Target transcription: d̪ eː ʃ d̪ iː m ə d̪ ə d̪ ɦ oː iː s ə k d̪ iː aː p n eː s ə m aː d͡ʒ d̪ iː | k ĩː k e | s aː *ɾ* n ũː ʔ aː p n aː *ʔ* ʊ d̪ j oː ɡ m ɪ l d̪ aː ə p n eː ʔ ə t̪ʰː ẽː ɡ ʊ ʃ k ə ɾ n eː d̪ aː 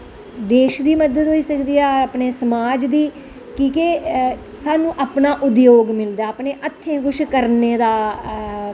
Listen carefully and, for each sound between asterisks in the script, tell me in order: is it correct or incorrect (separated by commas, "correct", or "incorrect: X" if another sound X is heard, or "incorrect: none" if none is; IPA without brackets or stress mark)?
incorrect: none, correct